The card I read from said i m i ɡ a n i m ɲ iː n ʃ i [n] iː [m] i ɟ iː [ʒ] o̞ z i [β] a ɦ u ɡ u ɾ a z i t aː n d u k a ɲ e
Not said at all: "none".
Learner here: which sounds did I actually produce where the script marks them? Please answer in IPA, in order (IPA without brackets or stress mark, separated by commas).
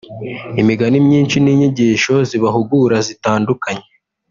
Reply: n, ɲ, ʃ, β